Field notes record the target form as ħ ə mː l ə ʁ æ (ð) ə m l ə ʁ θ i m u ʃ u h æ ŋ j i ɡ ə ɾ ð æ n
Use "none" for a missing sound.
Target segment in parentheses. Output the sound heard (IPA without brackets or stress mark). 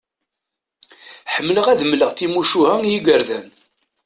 ð